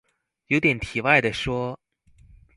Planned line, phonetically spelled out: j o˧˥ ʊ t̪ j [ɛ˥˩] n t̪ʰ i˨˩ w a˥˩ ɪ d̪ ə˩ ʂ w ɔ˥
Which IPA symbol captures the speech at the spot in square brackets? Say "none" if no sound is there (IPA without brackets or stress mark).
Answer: ɛ˨˩